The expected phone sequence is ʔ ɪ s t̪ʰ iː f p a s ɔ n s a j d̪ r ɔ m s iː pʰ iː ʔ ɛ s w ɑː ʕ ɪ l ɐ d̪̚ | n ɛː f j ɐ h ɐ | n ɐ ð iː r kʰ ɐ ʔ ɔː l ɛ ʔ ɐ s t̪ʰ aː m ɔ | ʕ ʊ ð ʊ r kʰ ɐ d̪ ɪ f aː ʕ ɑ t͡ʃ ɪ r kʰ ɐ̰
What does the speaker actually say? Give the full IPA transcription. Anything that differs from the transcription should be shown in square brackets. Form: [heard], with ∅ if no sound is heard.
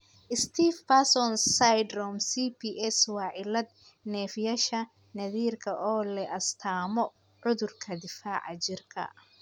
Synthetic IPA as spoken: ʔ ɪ s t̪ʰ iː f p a s ɔ n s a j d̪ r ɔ m s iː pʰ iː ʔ ɛ s w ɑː ʕ ɪ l ɐ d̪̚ | n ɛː f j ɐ [ʃ] ɐ | n ɐ ð iː r kʰ ɐ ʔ ɔː l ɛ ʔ ɐ s t̪ʰ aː m ɔ | ʕ ʊ ð ʊ r kʰ ɐ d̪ ɪ f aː ʕ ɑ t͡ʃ ɪ r kʰ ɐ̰